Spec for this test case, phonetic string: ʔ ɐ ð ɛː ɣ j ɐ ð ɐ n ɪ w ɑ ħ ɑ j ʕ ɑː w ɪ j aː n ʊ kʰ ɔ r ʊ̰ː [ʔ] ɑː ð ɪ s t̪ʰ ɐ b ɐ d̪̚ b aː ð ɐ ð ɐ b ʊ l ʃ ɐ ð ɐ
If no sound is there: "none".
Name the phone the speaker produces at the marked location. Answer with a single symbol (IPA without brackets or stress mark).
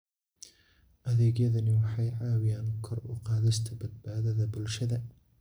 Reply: q